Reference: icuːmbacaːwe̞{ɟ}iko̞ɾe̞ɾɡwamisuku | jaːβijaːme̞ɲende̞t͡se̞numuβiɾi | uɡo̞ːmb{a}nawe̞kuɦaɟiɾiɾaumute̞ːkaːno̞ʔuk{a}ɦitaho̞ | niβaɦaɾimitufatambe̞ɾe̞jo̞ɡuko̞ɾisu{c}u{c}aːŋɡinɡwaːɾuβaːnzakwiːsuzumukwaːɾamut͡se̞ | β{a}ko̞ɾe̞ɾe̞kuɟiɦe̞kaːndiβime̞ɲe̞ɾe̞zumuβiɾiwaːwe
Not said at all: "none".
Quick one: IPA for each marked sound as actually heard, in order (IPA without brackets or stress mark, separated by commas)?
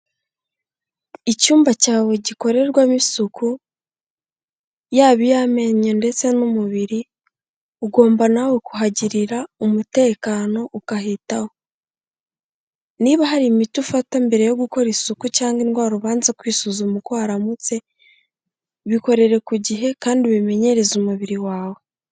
ɟ, a, a, k, c, i